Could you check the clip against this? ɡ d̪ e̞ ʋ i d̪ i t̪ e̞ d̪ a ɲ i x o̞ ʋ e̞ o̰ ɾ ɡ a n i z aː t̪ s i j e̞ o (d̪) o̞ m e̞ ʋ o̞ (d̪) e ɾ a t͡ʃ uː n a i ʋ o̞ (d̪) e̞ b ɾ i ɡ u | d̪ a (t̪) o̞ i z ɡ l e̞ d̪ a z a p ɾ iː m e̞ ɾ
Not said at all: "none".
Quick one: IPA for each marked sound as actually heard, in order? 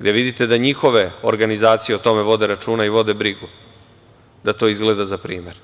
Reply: t̪, d̪, d̪, t̪

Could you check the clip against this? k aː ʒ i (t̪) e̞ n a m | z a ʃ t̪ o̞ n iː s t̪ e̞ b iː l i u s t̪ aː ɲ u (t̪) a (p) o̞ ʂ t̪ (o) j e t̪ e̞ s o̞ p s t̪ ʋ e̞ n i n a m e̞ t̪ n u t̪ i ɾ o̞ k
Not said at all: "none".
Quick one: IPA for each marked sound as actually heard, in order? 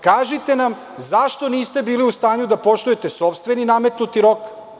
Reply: t̪, d̪, p, u

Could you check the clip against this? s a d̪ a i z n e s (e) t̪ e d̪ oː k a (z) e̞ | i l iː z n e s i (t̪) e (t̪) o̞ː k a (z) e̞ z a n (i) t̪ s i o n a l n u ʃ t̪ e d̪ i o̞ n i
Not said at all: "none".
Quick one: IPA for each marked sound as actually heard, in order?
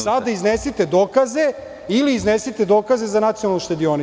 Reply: i, z, t̪, d̪, z, a

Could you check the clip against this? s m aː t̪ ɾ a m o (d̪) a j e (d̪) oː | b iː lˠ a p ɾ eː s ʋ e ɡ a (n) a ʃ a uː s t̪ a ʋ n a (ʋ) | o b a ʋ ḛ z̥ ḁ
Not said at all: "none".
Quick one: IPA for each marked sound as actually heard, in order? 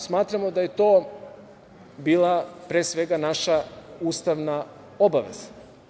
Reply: d̪, t̪, n, none

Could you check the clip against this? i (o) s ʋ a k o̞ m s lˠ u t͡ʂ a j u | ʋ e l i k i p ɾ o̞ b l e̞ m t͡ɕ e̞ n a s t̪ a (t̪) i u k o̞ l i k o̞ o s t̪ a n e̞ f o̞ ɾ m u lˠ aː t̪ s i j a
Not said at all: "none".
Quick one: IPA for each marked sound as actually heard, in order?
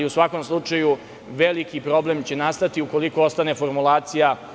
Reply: u, t̪

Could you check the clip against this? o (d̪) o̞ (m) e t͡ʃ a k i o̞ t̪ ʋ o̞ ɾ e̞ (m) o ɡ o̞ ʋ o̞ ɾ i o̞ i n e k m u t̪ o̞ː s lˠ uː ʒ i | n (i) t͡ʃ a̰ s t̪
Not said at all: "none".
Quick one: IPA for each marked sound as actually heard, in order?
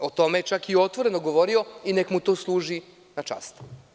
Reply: t̪, m, n, a

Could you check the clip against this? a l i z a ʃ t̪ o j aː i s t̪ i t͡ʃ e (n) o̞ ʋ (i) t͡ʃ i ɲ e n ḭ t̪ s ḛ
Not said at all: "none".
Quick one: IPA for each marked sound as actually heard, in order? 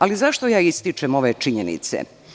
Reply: m, e

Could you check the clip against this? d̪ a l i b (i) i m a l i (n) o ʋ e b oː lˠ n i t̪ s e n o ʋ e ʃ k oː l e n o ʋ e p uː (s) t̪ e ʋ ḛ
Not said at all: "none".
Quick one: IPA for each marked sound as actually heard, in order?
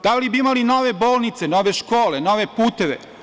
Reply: i, n, none

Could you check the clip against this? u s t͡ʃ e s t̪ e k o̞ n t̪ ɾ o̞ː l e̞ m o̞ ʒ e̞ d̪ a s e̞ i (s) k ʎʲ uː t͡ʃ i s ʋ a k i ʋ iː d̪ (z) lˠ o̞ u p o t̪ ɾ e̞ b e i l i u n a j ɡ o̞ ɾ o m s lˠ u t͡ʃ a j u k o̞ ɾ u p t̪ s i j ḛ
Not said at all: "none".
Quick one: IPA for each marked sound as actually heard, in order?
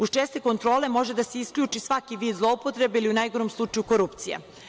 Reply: s, z

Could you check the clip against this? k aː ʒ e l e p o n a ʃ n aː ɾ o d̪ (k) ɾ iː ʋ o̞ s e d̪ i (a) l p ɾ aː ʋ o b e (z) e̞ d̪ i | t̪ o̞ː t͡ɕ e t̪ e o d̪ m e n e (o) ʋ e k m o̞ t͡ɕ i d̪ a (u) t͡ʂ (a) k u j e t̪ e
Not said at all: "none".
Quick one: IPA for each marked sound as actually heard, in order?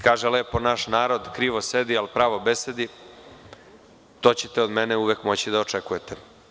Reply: k, a, s, u, o, e

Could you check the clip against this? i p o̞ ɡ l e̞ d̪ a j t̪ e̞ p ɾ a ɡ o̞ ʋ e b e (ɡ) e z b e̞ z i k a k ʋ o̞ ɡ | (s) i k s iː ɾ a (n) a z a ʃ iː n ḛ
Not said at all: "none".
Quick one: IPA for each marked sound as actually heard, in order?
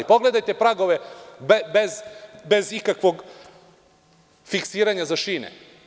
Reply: b, f, ɲ

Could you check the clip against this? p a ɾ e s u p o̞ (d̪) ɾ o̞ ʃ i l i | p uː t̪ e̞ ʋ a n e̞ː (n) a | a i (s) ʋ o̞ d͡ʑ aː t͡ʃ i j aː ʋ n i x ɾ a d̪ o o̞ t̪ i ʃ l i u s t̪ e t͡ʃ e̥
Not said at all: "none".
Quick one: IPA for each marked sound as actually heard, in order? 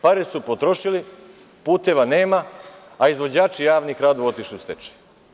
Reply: t̪, m, z

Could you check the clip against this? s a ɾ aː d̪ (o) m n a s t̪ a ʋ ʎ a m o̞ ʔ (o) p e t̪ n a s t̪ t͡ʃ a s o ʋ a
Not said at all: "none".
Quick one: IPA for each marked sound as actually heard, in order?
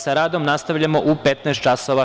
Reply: o, u

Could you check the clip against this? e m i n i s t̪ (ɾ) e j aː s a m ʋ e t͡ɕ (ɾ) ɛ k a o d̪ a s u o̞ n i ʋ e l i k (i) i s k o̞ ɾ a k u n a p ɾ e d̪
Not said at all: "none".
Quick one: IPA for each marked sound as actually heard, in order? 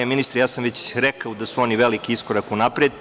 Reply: ɾ, ɾ, i

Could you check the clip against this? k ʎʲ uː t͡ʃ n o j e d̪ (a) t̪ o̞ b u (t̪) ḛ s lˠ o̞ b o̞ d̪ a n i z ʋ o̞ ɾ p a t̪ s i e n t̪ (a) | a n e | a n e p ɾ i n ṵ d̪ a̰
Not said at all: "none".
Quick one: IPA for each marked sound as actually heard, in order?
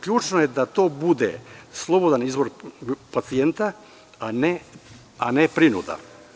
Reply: a, d̪, a

